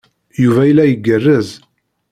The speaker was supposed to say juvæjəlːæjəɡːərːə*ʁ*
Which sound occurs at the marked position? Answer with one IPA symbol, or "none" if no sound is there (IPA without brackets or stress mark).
z